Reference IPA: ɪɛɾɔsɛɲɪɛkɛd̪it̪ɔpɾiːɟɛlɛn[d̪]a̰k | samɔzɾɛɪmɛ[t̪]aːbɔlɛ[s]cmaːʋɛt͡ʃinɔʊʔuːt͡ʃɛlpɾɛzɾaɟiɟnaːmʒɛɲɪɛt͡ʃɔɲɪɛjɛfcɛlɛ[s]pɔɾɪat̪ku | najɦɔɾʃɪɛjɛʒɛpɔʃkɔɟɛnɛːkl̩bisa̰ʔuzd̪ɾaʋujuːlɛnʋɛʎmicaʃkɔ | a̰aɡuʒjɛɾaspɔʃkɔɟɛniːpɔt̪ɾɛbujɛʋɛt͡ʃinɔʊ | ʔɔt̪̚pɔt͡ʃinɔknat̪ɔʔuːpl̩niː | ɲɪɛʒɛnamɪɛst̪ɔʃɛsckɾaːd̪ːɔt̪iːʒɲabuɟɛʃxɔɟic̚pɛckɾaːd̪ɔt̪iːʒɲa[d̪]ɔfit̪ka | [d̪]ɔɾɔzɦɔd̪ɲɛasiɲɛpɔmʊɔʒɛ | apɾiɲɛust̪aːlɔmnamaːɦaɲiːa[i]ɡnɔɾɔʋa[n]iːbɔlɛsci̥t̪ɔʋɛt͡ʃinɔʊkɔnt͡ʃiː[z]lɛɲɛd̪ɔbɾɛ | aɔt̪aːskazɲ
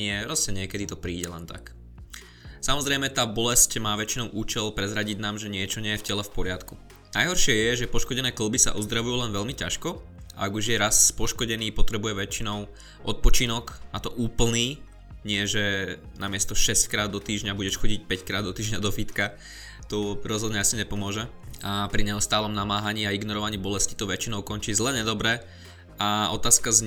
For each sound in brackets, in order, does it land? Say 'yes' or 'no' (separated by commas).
no, yes, yes, no, yes, no, yes, no, yes